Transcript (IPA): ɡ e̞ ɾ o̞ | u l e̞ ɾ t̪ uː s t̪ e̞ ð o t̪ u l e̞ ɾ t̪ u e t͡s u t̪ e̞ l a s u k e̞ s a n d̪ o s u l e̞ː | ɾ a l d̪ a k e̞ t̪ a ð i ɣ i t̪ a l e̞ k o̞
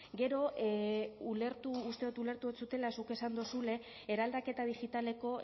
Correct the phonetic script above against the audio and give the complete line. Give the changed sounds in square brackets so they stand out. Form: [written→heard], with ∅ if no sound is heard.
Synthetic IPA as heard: ɡ e̞ ɾ o̞ | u l e̞ ɾ t̪ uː s t̪ e̞ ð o t̪ u l e̞ ɾ t̪ u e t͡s u t̪ e̞ l a s u k e̞ s a n d̪ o s u l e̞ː | ɾ a l d̪ a k e̞ t̪ a ð i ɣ i t̪ a l e̞ k o̞

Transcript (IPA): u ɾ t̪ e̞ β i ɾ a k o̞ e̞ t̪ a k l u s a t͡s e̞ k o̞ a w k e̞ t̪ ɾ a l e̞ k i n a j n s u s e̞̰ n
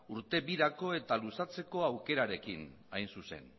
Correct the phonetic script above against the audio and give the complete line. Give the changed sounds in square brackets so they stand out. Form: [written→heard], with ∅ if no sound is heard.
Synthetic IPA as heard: u ɾ t̪ e̞ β i ɾ a k o̞ e̞ t̪ a [k→∅] l u s a t͡s e̞ k o̞ a w k e̞ [t̪→∅] ɾ a [l→ɾ] e̞ k i n a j n s u s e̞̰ n

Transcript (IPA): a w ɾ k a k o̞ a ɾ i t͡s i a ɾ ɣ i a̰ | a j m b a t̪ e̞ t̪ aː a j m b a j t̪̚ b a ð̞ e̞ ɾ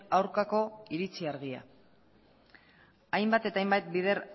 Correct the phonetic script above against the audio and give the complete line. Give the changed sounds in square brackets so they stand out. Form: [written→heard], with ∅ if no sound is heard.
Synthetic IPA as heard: a w ɾ k a k o̞ [a→i] ɾ i t͡s i a ɾ ɣ i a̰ | a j m b a t̪ e̞ t̪ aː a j m b a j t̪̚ b [a→i] ð̞ e̞ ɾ

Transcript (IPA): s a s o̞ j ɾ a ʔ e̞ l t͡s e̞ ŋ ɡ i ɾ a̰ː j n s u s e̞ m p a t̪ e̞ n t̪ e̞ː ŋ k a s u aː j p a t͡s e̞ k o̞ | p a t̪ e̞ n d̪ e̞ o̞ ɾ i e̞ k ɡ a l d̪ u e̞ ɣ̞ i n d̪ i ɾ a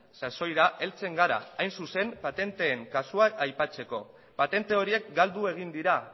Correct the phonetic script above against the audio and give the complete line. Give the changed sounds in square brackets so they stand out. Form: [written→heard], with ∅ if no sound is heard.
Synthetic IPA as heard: s a s o̞ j ɾ a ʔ e̞ l t͡s e̞ ŋ ɡ [i→a] ɾ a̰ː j n s u s e̞ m p a t̪ e̞ n t̪ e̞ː ŋ k a s u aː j p a t͡s e̞ k o̞ | p a t̪ e̞ n [d̪→t̪] e̞ o̞ ɾ i e̞ k ɡ a l d̪ u e̞ ɣ̞ i n d̪ i ɾ a

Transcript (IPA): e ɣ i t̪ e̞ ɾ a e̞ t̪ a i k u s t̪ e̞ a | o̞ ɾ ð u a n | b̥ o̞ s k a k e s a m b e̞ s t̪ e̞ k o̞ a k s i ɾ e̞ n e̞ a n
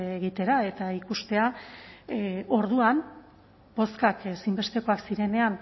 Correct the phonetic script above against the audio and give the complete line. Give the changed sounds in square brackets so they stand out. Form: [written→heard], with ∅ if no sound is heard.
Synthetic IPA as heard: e ɣ i t̪ e̞ ɾ a e̞ t̪ a i k u s t̪ e̞ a | o̞ ɾ ð u a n | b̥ o̞ s k a k e s [a→i] m b e̞ s t̪ e̞ k o̞ a k s i ɾ e̞ n e̞ a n

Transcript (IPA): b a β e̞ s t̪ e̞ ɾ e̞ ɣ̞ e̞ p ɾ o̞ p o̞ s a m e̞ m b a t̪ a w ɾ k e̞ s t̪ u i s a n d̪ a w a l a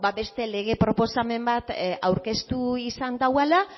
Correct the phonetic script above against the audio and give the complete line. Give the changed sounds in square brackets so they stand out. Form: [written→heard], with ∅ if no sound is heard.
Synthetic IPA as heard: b a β e̞ s t̪ e̞ [ɾ→l] e̞ ɣ̞ e̞ p ɾ o̞ p o̞ s a m e̞ m b a t̪ a w ɾ k e̞ s t̪ u i s a n d̪ a w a l a

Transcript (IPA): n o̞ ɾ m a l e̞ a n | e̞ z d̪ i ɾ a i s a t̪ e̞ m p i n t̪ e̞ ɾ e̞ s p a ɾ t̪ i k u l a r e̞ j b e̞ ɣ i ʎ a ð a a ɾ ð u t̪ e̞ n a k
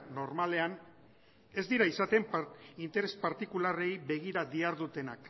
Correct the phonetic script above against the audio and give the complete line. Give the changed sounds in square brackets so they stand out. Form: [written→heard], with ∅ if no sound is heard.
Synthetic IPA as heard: n o̞ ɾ m a l e̞ a n | e̞ z d̪ i ɾ a i s a t̪ e̞ m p i n t̪ e̞ ɾ e̞ s p a ɾ t̪ i k u l a r e̞ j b e̞ ɣ i [ʎ→ɾ] a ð [a→i] a ɾ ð u t̪ e̞ n a k

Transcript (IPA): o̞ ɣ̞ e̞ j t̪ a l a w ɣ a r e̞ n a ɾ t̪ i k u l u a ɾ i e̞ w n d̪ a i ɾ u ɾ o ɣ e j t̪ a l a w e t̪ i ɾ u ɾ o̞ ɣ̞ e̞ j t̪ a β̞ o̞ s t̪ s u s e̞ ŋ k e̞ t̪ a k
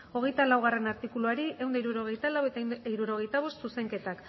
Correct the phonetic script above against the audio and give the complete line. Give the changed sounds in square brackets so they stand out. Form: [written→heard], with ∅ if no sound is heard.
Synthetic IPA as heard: o̞ ɣ̞ e̞ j t̪ a l a w ɣ a r e̞ n a ɾ t̪ i k u l u a ɾ i e̞ w n d̪ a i ɾ u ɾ o ɣ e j t̪ a l a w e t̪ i ɾ u ɾ o̞ ɣ̞ e̞ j t̪ a β̞ o̞ s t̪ s u s e̞ ŋ k e̞ t̪ a k

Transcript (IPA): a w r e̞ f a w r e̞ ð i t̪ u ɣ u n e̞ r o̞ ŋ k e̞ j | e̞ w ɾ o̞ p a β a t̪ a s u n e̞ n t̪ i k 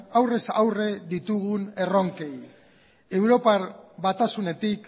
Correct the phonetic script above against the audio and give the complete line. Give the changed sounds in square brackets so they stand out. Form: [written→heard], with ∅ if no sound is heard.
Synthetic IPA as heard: a w r e̞ [f→s] a w r e̞ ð i t̪ u ɣ u n e̞ r o̞ ŋ k e̞ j | e̞ w ɾ o̞ p a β a t̪ a s u n e̞ [n→∅] t̪ i k

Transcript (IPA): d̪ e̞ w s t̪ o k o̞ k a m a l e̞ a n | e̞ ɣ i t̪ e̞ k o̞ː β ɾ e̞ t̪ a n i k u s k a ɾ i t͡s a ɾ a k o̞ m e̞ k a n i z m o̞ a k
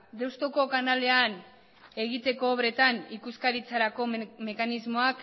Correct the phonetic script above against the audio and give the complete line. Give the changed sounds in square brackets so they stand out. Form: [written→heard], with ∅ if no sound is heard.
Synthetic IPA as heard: d̪ e̞ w s t̪ o k o̞ k a [m→n] a l e̞ a n | e̞ ɣ i t̪ e̞ k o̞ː β ɾ e̞ t̪ a n i k u s k a ɾ i t͡s a ɾ a k o̞ m e̞ k a n i z m o̞ a k

